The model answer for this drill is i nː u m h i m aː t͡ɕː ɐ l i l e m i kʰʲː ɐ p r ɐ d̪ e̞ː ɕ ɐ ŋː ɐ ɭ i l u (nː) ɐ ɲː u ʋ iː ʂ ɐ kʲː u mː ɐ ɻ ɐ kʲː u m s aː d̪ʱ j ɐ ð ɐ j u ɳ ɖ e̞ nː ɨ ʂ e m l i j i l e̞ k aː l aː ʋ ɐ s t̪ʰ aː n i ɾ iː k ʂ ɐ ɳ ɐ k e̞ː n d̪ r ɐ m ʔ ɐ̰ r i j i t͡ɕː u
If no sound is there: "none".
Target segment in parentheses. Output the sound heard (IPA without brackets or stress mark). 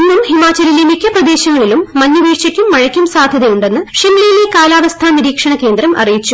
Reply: mː